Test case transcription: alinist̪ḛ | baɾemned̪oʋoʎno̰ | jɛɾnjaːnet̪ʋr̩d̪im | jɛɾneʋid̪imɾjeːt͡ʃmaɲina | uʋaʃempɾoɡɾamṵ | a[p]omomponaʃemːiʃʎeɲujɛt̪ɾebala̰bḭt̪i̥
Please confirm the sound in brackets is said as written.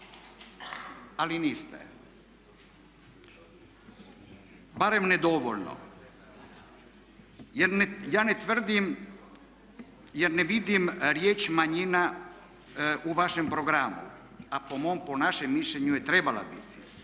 yes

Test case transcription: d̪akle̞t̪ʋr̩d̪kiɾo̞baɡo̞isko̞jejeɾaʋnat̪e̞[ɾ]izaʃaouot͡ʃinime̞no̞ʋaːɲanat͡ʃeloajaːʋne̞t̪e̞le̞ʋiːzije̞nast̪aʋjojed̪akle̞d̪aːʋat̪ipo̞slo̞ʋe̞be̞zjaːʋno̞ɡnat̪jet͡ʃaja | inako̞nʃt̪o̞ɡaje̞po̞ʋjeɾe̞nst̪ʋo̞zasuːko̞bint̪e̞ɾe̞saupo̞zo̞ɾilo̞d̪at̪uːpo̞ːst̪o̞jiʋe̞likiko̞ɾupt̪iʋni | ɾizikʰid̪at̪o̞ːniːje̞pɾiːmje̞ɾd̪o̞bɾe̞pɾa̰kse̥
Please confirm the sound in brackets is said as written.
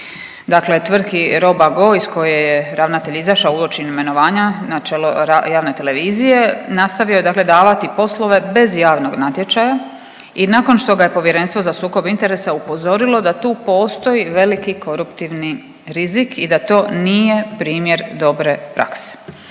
no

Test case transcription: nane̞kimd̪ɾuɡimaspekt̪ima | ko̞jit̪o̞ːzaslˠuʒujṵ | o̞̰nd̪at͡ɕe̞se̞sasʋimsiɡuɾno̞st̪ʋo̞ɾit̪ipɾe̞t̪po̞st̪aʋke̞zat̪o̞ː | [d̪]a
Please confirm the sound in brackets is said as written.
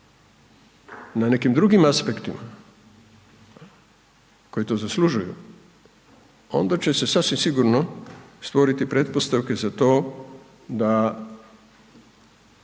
yes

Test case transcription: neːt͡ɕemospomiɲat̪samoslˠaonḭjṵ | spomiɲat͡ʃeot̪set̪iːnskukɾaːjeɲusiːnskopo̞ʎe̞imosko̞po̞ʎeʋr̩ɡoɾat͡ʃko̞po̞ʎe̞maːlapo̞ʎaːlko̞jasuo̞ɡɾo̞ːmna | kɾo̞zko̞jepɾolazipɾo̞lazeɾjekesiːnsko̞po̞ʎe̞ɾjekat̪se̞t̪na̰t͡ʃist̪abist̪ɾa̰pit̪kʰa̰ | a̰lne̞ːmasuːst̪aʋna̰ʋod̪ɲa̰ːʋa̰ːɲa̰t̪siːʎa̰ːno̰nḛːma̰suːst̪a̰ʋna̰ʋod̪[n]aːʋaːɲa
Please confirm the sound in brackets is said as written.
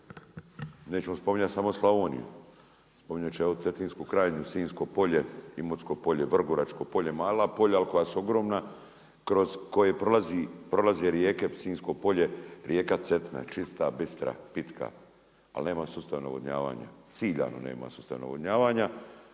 no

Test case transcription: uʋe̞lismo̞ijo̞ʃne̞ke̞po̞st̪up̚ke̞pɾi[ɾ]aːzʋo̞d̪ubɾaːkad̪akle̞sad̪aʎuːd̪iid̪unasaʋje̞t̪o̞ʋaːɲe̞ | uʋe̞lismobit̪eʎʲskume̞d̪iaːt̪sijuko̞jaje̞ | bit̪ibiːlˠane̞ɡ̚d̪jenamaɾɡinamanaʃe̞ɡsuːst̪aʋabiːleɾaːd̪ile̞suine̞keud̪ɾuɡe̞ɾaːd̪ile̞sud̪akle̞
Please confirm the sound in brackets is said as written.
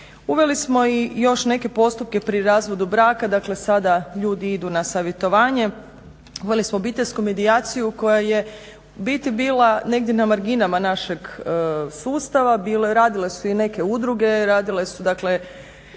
yes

